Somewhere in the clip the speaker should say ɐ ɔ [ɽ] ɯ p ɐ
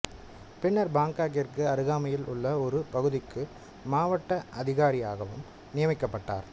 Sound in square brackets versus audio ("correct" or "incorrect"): incorrect